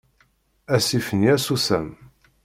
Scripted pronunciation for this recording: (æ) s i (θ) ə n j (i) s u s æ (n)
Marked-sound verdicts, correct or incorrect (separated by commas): correct, incorrect, incorrect, incorrect